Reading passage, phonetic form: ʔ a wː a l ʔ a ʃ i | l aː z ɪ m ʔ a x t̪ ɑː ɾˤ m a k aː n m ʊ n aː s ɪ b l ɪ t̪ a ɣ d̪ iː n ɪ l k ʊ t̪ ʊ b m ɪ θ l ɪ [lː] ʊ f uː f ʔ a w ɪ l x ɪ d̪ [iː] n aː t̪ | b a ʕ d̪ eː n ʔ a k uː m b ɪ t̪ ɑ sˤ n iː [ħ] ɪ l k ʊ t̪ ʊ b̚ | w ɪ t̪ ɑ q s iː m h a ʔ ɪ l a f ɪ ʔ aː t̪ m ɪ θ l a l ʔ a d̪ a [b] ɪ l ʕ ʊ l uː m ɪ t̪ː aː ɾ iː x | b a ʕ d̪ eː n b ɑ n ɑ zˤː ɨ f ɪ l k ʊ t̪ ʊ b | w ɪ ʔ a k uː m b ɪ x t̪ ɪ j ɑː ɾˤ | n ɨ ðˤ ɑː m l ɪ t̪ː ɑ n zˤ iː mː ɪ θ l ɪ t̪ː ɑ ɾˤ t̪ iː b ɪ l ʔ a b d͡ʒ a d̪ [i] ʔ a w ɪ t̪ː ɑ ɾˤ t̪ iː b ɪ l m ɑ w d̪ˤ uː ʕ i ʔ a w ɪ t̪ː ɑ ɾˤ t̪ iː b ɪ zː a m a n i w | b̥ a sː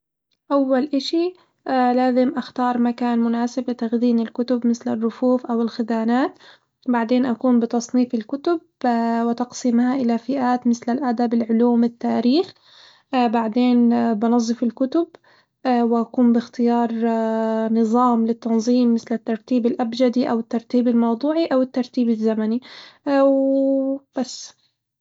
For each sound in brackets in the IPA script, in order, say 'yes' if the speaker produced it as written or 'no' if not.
no, no, no, yes, yes

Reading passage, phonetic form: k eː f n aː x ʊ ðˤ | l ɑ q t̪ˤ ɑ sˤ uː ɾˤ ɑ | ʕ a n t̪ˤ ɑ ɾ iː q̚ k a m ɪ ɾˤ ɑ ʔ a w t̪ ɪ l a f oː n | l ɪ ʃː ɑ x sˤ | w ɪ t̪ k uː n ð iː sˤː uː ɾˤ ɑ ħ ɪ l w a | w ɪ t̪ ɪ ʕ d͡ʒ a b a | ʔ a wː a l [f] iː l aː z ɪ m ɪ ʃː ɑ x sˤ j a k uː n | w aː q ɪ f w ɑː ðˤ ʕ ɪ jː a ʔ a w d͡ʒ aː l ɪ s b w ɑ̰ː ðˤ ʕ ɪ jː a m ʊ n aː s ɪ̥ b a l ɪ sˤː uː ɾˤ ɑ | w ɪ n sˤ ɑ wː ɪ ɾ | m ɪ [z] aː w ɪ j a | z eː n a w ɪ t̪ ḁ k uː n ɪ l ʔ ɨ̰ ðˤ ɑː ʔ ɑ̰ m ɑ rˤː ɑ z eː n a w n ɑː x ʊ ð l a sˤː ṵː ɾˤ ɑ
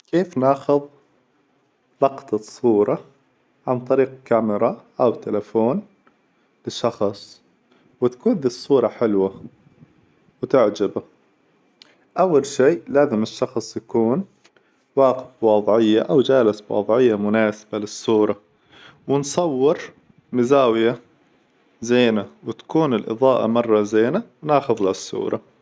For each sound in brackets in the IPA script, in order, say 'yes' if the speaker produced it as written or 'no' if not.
no, yes

